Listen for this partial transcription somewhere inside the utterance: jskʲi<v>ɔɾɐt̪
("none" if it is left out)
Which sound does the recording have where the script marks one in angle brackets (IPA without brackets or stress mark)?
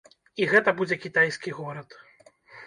ɣ